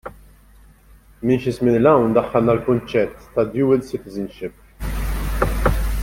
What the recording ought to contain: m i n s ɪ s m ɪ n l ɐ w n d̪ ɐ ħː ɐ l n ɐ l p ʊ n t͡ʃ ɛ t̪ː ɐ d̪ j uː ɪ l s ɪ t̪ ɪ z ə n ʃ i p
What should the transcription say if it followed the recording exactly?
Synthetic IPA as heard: m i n ʃ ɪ s m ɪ n l ɐ w n d̪ ɐ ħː ɐ l n ɐ l k ʊ n t͡ʃ ɛ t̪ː ɐ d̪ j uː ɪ l s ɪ t̪ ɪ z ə n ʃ ɪ p